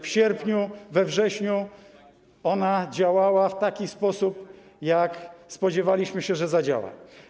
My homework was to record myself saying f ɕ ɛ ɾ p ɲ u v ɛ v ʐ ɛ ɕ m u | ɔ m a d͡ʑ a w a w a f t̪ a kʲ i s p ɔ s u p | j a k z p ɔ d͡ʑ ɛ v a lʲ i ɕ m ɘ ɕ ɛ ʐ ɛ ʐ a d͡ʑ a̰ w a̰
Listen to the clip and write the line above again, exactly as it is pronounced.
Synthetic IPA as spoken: f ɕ ɛ ɾ p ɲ u v ɛ v ʐ ɛ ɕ ɲ u | ɔ n a d͡ʑ a w a w a f t̪ a kʲ i s p ɔ s u p | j a k s p ɔ d͡ʑ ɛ v a lʲ i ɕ m ɘ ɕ ɛ ʐ ɛ z a d͡ʑ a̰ w a̰

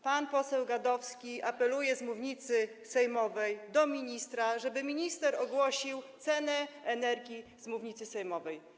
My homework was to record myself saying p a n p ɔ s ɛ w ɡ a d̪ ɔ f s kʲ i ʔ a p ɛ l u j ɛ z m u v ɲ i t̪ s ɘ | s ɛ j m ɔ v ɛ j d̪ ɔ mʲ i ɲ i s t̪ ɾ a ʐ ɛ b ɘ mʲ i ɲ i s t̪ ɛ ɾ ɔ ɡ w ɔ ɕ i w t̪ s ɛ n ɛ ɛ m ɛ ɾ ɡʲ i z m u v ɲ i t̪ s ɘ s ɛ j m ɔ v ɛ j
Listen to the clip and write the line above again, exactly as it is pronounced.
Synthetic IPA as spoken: p a n p ɔ s ɛ w ɡ a d̪ ɔ f s kʲ i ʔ a p ɛ l u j ɛ z m u v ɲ i t̪ s ɘ | s ɛ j m ɔ v ɛ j d̪ ɔ mʲ i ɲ i s t̪ ɾ a ʐ ɛ b ɘ mʲ i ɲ i s t̪ ɛ ɾ ɔ ɡ w ɔ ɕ i w t̪ s ɛ n ɛ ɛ n ɛ ɾ ɡʲ i z m u v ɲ i t̪ s ɘ s ɛ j m ɔ v ɛ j

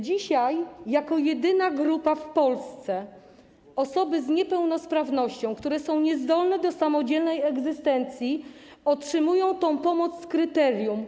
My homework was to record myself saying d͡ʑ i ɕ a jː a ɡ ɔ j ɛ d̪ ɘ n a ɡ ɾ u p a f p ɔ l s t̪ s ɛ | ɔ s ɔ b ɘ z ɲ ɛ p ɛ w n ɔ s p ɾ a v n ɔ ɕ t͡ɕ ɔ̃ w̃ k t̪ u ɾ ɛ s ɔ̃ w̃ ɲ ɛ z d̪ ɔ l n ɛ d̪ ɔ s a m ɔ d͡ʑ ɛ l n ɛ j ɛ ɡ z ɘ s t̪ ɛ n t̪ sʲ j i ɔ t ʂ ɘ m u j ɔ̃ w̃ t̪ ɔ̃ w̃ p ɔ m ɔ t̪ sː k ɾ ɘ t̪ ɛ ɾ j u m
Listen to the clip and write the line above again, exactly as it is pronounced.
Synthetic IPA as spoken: d͡ʑ i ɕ a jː a k ɔ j ɛ d̪ ɘ n a ɡ ɾ u p a f p ɔ l s t̪ s ɛ | ɔ s ɔ b ɘ z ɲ ɛ p ɛ w n ɔ s p ɾ a v n ɔ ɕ t͡ɕ ɔ̃ w̃ k t̪ u ɾ ɛ s ɔ̃ w̃ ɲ ɛ z d̪ ɔ l n ɛ d̪ ɔ s a m ɔ d͡ʑ ɛ l n ɛ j ɛ ɡ z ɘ s t̪ ɛ n t̪ sʲ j i ɔ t ʂ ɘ m u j ɔ̃ w̃ t̪ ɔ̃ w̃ p ɔ m ɔ t̪ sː k ɾ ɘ t̪ ɛ ɾ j u m

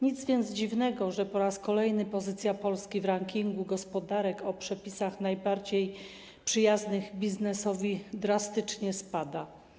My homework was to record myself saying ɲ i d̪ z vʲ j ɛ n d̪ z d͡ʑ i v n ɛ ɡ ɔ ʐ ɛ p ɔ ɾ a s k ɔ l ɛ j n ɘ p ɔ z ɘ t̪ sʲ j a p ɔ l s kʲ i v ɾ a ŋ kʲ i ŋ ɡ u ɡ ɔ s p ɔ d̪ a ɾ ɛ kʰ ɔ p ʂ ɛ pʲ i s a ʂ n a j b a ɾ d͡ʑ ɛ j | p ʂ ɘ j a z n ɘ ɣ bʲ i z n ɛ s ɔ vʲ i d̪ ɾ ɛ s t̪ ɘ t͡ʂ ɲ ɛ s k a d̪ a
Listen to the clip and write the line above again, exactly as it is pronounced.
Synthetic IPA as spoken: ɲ i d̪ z vʲ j ɛ n d̪ z d͡ʑ i v n ɛ ɡ ɔ ʐ ɛ p ɔ ɾ a s k ɔ l ɛ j n ɘ p ɔ z ɘ t̪ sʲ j a p ɔ l s kʲ i v ɾ a ŋ kʲ i ŋ ɡ u ɡ ɔ s p ɔ d̪ a ɾ ɛ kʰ ɔ p ʂ ɛ pʲ i s a x n a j b a ɾ d͡ʑ e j | p ʂ ɘ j a z n ɘ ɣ bʲ i z n ɛ s ɔ vʲ i d̪ ɾ a s t̪ ɘ t͡ʂ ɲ ɛ s p a d̪ a

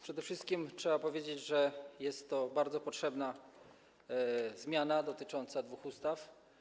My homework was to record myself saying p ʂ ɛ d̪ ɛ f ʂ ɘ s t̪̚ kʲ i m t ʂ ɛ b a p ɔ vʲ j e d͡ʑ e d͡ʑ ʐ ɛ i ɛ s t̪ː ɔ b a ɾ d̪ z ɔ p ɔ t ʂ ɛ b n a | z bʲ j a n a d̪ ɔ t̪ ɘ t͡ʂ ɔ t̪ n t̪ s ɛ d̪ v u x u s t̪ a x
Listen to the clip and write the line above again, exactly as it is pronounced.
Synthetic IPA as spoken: p ʂ ɛ d̪ ɛ f ʂ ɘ s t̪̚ kʲ i m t ʂ ɛ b a p ɔ vʲ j e d͡ʑ e d͡ʑ ʐ ɛ j ɛ s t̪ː ɔ b a ɾ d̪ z ɔ p ɔ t ʂ ɛ b n a | z mʲ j a n a d̪ ɔ t̪ ɘ t͡ʂ ɔ n t̪ s a d̪ v u x u s t̪ a f

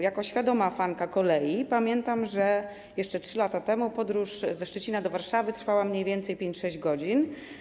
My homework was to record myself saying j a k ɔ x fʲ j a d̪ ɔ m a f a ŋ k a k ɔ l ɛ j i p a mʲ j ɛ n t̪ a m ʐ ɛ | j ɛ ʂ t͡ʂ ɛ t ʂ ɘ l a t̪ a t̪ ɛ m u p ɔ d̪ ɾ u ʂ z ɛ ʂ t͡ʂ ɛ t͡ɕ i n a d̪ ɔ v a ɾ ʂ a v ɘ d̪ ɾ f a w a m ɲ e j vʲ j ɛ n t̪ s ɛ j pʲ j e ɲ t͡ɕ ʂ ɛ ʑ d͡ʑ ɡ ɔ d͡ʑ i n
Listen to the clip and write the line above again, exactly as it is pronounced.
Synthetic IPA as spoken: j a k ɔ ɕ fʲ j a d̪ ɔ m a f a ŋ k a k ɔ l ɛ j i p a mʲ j ɛ n t̪ a m ʐ ɛ | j ɛ ʂ t͡ʂ ɛ t ʂ ɘ l a t̪ a t̪ ɛ m u p ɔ d̪ ɾ u ʂ z ɛ ʂ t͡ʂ ɛ t͡ɕ i n a d̪ ɔ v a ɾ ʂ a v ɘ t̪ ɾ f a w a m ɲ e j vʲ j ɛ n t̪ s ɛ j pʲ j e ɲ t͡ɕ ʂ ɛ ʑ d͡ʑ ɡ ɔ d͡ʑ i n

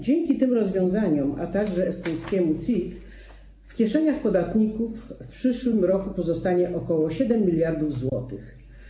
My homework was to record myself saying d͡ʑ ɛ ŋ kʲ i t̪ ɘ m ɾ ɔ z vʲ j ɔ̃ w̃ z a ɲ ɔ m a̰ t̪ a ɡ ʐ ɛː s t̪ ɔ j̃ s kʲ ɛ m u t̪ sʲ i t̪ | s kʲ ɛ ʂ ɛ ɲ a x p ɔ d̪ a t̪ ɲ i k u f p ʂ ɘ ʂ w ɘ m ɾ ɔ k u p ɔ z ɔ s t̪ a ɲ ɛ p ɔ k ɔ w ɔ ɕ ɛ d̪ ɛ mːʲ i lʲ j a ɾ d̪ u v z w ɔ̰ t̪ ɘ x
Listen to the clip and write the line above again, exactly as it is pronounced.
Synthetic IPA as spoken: d͡ʑ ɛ ŋ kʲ i t̪ ɘ m ɾ ɔ z vʲ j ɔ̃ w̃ z a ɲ ɔ m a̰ t̪ a ɡ ʐ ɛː s t̪ ɔ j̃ s kʲ ɛ m u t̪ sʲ i t̪ | f kʲ ɛ ʂ ɛ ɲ a x p ɔ d̪ a t̪ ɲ i k u f p ʂ ɘ ʂ w ɘ m ɾ ɔ k u p ɔ z ɔ s t̪ a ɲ ɛ ʔ ɔ k ɔ w ɔ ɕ ɛ d̪ ɛ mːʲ i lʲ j a ɾ d̪ u v z w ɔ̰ t̪ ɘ x

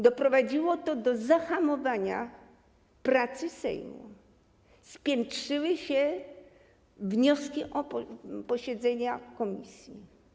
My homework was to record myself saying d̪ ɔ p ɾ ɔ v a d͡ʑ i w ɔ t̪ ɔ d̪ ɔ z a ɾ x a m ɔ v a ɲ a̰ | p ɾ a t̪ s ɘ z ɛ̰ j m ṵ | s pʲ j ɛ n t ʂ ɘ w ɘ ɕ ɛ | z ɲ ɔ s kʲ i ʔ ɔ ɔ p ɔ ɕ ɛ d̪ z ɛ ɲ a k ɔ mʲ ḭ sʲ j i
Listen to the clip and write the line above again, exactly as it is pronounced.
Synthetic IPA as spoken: d̪ ɔ p ɾ ɔ v a d͡ʑ i w ɔ t̪ ɔ d̪ ɔ z a x a m ɔ v a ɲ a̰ | p ɾ a t̪ s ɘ s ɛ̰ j m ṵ | s pʲ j ɛ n t ʂ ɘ w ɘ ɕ ɛ | v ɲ ɔ s kʲ i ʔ ɔ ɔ p ɔ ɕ ɛ d̪ z ɛ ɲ a k ɔ mʲ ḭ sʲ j i

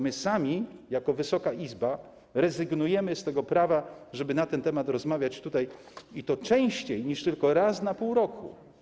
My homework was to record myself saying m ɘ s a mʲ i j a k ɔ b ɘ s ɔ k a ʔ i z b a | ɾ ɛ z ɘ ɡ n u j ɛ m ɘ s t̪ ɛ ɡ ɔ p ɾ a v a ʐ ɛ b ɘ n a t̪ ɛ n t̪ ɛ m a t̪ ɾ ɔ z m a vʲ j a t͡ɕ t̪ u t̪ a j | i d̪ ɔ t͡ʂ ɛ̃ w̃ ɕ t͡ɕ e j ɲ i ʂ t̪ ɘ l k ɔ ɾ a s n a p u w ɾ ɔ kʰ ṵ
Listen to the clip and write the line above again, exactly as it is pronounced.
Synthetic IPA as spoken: m ɘ s a mʲ i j a k ɔ v ɘ s ɔ k a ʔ i z b a | ɾ ɛ z ɘ ɡ n u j ɛ m ɘ s t̪ ɛ ɡ ɔ p ɾ a v a ʐ ɛ b ɘ n a t̪ ɛ n t̪ ɛ m a t̪ ɾ ɔ z m a vʲ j a t͡ɕ t̪ u t̪ a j | i t̪ ɔ t͡ʂ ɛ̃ w̃ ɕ t͡ɕ e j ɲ i ʂ t̪ ɘ l k ɔ ɾ a s n a p u w ɾ ɔ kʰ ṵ

